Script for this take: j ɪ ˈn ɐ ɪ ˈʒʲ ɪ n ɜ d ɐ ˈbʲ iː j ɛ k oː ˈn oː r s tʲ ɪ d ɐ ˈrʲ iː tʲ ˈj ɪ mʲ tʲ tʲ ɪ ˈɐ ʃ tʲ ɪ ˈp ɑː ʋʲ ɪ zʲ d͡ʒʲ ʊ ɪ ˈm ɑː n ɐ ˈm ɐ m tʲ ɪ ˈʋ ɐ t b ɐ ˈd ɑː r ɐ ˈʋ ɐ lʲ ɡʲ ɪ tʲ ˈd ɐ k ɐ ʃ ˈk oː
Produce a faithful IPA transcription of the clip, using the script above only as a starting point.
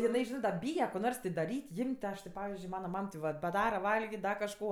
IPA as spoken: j ɪ ˈn ɐ ɪ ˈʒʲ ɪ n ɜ d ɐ ˈbʲ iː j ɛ k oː ˈn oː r s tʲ ɪ d ɐ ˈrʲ iː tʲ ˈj ɪ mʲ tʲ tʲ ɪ ˈɐ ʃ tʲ ɪ ˈp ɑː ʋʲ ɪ zʲ d͡ʒʲ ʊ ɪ ˈm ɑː n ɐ ˈm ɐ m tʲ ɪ ˈʋ ɐ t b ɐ ˈd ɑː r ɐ ˈʋ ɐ lʲ ɡʲ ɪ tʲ ˈd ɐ k ɐ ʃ ˈk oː